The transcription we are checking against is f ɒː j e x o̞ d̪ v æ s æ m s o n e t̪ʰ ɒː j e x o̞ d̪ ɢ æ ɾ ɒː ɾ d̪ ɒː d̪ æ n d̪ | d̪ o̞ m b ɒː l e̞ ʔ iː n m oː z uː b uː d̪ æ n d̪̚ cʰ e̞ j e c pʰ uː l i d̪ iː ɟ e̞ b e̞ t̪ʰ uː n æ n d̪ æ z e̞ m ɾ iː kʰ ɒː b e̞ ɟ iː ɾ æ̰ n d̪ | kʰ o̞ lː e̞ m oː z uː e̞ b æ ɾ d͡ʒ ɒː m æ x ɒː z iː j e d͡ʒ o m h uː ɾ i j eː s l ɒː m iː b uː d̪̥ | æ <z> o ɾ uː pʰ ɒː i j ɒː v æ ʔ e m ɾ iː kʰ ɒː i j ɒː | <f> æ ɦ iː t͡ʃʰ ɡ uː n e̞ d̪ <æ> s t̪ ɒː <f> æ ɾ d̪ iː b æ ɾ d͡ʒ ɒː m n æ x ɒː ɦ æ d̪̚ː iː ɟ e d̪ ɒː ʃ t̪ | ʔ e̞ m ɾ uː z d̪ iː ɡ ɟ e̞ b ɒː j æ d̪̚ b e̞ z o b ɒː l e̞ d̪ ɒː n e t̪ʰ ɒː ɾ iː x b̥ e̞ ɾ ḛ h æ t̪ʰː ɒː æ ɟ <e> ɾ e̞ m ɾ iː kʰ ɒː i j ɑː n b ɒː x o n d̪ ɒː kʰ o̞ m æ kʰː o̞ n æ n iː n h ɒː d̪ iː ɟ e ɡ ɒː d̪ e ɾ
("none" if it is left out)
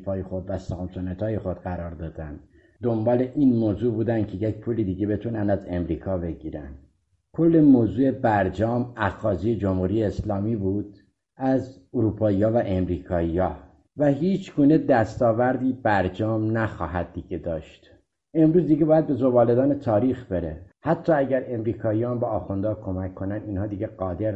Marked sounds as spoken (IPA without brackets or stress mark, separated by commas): z, v, æ, v, æ